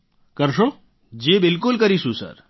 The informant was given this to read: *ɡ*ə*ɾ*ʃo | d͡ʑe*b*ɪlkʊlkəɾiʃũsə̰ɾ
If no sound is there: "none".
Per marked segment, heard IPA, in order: k, ɾ, b

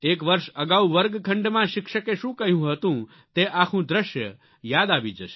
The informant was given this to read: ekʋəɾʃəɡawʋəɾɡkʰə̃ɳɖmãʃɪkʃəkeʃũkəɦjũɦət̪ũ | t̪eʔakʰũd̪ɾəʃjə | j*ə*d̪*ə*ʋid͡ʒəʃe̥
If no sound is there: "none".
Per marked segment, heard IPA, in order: a, a

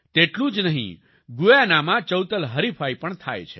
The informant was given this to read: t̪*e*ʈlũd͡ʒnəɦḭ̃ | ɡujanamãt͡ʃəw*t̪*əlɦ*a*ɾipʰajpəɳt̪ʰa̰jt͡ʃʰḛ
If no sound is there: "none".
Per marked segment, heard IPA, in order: e, t̪, ə

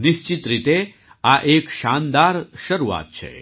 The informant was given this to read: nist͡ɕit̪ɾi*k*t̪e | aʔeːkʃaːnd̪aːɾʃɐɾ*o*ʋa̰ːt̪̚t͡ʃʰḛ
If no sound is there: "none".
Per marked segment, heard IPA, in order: none, u

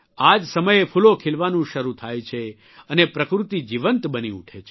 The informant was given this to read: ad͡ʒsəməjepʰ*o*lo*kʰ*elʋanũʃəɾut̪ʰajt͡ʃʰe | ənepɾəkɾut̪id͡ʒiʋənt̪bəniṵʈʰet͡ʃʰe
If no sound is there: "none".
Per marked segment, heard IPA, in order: u, kʰ

